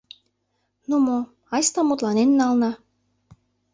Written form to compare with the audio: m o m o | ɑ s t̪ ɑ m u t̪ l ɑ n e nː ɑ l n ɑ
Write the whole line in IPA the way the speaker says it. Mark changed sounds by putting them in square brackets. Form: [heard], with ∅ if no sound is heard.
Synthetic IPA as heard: [n] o m o | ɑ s t̪ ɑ m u t̪ l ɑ n e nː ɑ l n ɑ